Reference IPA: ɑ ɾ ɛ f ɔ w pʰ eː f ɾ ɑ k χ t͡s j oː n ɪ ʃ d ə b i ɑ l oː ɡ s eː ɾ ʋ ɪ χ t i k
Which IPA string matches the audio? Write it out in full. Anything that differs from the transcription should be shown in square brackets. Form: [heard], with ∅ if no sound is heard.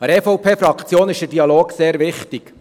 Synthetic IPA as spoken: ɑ ɾ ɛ f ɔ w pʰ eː f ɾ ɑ k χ t͡s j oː n ɪ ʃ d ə [d] i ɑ l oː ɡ s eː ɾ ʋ ɪ χ t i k